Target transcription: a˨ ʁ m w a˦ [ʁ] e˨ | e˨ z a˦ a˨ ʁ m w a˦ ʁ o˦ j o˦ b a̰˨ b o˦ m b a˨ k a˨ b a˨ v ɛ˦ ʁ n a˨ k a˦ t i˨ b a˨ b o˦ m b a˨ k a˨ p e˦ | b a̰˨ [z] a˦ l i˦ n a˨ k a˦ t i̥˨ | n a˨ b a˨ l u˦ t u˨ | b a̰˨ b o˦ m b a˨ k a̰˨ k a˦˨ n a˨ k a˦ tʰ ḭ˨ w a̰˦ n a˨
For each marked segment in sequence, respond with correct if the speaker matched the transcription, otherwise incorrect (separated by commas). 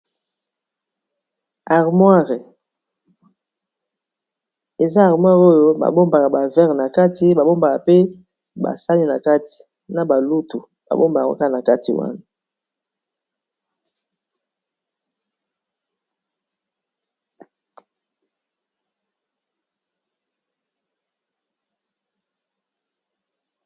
correct, incorrect